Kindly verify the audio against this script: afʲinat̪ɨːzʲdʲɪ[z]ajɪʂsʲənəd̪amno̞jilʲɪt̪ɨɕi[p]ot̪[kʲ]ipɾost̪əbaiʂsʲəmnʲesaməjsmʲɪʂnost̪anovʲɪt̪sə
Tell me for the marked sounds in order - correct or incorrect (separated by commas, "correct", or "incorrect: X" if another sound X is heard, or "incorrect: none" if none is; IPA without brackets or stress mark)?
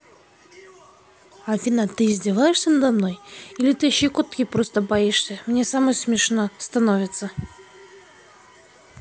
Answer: incorrect: v, incorrect: k, correct